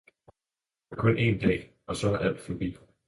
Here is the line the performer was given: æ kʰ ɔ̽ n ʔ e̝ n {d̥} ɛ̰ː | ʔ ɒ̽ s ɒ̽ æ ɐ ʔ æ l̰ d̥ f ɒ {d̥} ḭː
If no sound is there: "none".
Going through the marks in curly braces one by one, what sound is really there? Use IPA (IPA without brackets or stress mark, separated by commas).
d̥, b̥